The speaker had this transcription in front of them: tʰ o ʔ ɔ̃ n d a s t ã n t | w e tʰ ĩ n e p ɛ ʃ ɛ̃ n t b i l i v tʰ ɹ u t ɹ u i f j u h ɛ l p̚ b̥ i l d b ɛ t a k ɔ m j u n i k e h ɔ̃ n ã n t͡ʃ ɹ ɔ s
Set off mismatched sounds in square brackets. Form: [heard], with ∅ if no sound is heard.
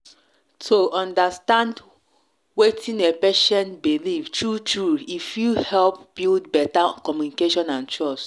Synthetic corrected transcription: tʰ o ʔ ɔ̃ n d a s t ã n [d] | w e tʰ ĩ n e p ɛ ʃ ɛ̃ n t b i l i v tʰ ɹ u t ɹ u i f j u h ɛ l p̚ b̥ i l d b ɛ t a k ɔ m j u n i k e [ʃ] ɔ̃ n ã n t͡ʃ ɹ ɔ s

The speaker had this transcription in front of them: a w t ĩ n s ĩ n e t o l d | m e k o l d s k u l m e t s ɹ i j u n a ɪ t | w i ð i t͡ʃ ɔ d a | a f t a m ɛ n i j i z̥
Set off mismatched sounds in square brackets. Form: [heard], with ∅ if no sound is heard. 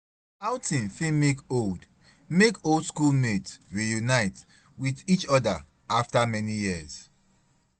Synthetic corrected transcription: a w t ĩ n [f] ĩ [m] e [k] o l d | m e k o l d s k u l m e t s ɹ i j u n a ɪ t | w i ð i t͡ʃ ɔ d a | a f t a m ɛ n i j i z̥

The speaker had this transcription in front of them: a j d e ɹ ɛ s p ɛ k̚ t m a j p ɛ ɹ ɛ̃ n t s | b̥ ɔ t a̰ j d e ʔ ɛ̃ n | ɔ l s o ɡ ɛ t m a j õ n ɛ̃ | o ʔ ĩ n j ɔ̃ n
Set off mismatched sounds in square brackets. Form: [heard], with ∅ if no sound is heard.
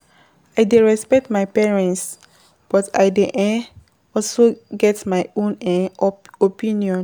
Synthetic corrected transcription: a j d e ɹ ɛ s p ɛ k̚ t m a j p ɛ ɹ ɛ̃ n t s | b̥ ɔ t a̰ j d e ʔ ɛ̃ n | ɔ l s o ɡ ɛ t m a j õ n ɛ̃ | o [p] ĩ n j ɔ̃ n

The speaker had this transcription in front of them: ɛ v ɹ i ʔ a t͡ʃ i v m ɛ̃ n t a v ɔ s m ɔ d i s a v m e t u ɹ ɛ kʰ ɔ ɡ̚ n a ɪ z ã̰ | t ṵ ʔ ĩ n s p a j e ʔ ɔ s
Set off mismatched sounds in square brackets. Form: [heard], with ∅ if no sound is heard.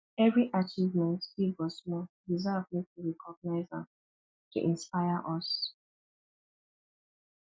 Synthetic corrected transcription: ɛ v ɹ i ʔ a t͡ʃ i v m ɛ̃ n t [i] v ɔ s m ɔ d i [z] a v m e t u ɹ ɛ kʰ ɔ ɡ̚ n a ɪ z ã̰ | t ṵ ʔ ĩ n s p a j [a] ʔ ɔ s

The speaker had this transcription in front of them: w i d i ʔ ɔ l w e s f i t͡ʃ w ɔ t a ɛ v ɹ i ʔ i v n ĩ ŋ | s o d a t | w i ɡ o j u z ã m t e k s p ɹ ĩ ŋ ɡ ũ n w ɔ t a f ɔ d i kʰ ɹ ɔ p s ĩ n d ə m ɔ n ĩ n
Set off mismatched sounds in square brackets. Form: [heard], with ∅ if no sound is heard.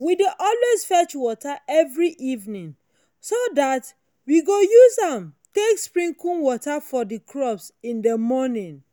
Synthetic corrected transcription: w i d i ʔ ɔ l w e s f [ɛ] t͡ʃ w ɔ t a ɛ v ɹ i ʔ i v n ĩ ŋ | s o d a t | w i ɡ o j u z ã m t e k s p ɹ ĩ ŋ [k] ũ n w ɔ t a f ɔ d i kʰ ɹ ɔ p s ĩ n d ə m ɔ n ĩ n

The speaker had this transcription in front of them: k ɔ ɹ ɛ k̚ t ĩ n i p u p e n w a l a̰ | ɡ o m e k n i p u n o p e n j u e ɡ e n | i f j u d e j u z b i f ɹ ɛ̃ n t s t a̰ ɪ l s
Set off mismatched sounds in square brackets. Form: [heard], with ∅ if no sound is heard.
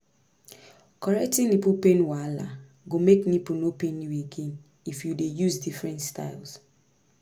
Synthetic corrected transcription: k ɔ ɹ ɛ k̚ t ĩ n i p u p e n w a l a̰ | ɡ o m e k n i p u n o p e n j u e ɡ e n | i f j u d e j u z [d] i f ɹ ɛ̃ n t s t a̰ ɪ l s

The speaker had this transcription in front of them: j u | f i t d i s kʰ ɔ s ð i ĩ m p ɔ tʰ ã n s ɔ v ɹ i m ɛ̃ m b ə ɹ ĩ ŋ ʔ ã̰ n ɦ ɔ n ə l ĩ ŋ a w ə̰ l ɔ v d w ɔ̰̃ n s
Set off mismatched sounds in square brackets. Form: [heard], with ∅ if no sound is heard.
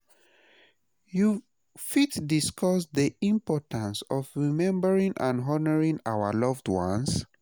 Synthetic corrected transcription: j u | f i t d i s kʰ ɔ s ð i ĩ m p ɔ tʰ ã n s ɔ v ɹ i m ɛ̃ m b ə ɹ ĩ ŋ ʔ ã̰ n ɦ ɔ n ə [ɹ] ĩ ŋ a w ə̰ l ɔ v d w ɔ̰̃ n s

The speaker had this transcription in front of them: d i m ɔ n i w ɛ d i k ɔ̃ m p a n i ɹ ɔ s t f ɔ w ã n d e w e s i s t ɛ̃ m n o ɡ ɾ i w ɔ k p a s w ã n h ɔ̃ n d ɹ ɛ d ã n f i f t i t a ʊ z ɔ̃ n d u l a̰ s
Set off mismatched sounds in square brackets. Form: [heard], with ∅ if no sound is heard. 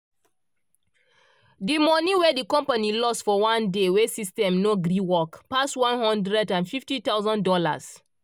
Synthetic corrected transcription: d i m ɔ n i w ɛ d i k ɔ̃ m p a n i [l] ɔ s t f ɔ w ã n d e w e s i s t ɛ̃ m n o ɡ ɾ i w ɔ k p a s w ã n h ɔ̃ n d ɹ ɛ d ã n f i f t i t a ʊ z ɔ̃ n d [ɔ] l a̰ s

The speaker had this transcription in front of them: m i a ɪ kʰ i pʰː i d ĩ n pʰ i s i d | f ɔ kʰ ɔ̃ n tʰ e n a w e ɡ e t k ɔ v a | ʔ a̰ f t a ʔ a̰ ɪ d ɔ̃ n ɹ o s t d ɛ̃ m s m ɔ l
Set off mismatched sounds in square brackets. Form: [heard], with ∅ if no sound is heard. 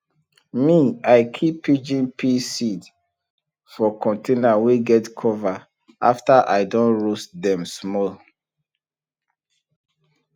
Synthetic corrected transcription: m i a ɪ kʰ i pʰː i [d͡ʒ] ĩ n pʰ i s i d | f ɔ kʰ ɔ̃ n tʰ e n a w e ɡ [ɛ] t [kʰ] ɔ v a | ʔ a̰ f t a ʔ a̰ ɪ d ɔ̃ n ɹ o s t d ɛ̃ m s m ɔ l

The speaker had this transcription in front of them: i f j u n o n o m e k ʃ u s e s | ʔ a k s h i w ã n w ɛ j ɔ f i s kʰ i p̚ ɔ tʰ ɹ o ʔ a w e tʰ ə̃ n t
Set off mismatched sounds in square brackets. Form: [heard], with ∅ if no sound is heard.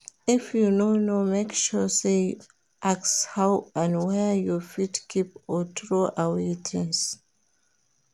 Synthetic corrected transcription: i f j u n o n o m e k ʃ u s e [∅] | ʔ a k s h [a] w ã n w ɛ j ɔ f i [t] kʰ i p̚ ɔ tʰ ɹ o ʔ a w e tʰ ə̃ n [s]

